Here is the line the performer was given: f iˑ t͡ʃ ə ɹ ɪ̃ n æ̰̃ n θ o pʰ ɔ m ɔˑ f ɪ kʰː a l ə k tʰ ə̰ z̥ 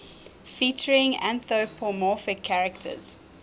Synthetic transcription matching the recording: f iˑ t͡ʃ ə ɹ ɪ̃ ŋ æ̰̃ n θ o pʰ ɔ m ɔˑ f ɪ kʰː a ɹ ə k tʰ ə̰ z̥